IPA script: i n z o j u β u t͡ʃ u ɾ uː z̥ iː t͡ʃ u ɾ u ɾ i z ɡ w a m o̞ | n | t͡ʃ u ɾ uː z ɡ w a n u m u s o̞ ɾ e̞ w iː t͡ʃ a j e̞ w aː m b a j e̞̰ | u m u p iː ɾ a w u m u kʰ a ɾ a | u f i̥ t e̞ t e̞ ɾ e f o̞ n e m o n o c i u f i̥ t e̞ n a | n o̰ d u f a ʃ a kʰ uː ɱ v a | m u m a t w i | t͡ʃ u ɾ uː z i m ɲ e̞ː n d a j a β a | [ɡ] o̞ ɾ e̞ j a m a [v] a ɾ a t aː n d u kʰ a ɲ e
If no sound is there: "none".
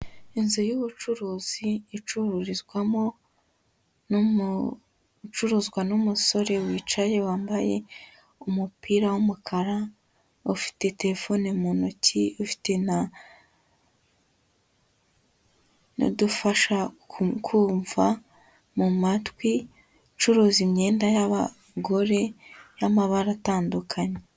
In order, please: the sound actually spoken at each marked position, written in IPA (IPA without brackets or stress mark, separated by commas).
ɡ, β